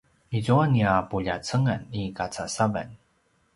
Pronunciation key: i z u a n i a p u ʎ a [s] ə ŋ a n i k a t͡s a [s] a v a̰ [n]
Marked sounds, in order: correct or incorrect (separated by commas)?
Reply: incorrect, correct, correct